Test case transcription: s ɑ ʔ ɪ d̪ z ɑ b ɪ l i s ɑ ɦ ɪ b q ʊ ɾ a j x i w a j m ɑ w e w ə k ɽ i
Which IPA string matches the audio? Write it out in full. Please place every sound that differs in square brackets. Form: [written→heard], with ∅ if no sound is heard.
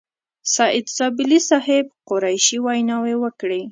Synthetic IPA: s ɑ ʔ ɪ d̪ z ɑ b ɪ l i s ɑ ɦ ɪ b q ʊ ɾ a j [x→ʃ] i w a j [m→n] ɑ w e w ə k ɽ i